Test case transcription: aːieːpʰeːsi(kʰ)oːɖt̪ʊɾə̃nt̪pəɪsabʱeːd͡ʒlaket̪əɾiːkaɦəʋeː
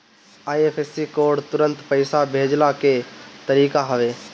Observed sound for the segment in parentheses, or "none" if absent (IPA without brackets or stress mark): k